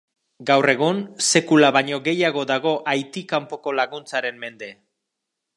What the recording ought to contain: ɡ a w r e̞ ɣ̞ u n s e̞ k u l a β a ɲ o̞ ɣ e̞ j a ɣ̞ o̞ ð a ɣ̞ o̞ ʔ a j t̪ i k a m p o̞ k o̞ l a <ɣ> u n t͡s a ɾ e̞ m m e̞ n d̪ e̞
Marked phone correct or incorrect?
correct